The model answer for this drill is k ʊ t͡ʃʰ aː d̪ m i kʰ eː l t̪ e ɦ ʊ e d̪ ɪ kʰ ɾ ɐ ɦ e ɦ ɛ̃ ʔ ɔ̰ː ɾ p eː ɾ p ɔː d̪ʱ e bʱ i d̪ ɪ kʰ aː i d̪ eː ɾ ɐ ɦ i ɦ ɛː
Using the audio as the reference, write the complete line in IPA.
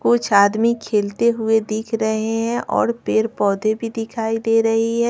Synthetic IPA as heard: k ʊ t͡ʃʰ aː d̪ m i kʰ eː l t̪ e ɦ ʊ e d̪ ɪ kʰ ɾ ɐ ɦ e ɦ ɛ̃ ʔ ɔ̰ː ɾ p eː ɾ p ɔː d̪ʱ e bʱ i d̪ ɪ kʰ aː i d̪ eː ɾ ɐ ɦ i ɦ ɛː